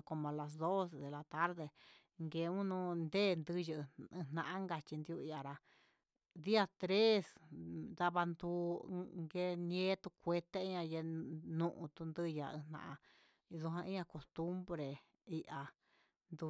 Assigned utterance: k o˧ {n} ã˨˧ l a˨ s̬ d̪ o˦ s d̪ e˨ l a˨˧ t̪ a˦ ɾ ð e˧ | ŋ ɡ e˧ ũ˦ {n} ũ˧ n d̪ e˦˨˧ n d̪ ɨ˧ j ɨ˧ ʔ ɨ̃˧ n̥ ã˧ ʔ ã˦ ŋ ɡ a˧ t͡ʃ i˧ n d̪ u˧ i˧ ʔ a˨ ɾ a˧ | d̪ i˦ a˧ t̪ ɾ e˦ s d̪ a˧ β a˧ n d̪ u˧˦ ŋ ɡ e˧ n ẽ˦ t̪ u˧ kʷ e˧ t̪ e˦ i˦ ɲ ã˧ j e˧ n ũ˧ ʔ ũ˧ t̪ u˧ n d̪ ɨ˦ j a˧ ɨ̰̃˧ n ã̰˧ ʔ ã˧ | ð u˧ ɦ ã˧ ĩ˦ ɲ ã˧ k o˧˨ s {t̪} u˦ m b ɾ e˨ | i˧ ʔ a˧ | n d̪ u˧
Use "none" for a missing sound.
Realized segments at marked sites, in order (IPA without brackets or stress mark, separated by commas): m, n, t̪